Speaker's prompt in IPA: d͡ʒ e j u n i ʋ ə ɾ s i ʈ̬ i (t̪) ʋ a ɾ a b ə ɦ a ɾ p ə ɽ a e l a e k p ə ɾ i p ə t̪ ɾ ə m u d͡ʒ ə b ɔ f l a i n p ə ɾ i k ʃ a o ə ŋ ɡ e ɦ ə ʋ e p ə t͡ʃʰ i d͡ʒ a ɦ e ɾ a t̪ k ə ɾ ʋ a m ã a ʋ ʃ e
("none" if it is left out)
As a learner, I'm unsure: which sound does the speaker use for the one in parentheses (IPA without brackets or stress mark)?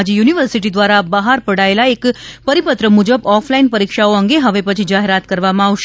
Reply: d̪